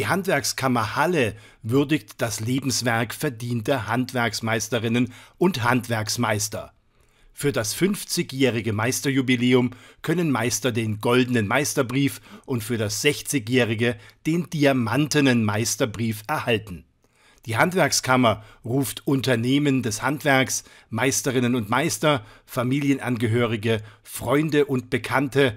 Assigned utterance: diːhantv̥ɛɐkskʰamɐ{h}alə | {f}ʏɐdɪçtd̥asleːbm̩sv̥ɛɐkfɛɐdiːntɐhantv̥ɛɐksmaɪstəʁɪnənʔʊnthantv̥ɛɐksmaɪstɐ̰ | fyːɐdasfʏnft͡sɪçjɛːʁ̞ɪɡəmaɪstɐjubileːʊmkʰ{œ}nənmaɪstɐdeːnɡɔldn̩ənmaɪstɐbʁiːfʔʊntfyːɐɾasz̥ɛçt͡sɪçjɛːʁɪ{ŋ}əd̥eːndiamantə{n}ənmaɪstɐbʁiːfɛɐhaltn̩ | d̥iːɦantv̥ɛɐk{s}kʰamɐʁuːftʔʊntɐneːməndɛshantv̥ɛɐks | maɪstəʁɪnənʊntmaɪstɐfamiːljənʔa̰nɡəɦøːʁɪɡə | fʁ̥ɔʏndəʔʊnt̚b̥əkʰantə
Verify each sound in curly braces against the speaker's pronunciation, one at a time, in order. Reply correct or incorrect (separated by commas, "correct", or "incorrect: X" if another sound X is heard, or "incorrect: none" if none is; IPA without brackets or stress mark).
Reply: correct, incorrect: v, correct, incorrect: ɡ, correct, correct